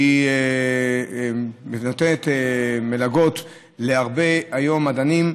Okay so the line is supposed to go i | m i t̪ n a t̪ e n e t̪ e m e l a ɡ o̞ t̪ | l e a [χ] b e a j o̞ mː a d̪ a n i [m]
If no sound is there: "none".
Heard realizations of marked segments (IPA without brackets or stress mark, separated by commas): ʁ, m